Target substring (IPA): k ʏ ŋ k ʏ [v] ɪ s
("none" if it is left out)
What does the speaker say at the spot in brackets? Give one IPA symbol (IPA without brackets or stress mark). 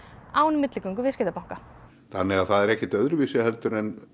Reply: v